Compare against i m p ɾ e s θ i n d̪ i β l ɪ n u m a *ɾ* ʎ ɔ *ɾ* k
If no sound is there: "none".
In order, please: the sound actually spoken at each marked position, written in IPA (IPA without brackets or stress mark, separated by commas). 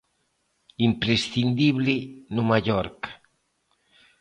none, ɾ